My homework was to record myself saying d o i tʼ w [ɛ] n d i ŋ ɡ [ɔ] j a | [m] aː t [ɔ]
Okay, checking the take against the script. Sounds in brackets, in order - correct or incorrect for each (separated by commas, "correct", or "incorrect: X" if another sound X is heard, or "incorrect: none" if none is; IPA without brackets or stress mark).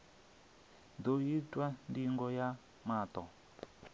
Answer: incorrect: a, correct, correct, correct